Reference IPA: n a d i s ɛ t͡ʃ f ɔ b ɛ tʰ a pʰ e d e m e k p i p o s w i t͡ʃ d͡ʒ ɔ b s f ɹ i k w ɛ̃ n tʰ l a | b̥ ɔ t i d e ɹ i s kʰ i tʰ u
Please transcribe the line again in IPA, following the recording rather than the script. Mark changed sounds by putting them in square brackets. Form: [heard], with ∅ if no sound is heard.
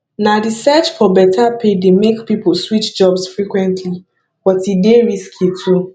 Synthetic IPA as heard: n a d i s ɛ t͡ʃ f ɔ b ɛ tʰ a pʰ e d e m e k p i p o s w i t͡ʃ d͡ʒ ɔ b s f ɹ i k w ɛ̃ n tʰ l [i] | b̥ ɔ t i d e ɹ i s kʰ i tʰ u